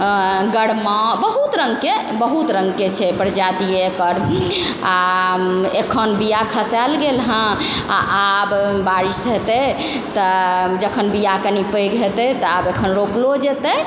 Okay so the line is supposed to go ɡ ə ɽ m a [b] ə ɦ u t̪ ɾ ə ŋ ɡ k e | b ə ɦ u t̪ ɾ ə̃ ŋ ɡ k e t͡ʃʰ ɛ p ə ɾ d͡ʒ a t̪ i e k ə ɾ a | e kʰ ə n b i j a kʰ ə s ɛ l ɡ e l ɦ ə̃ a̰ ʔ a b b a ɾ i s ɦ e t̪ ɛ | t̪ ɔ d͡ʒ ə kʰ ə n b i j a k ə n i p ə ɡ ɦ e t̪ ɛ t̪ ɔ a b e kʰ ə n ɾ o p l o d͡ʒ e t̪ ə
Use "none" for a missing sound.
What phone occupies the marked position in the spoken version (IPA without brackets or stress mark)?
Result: b